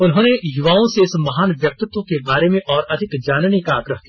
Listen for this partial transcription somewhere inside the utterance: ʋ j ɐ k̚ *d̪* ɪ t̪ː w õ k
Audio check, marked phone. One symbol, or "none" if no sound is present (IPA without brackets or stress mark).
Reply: t̪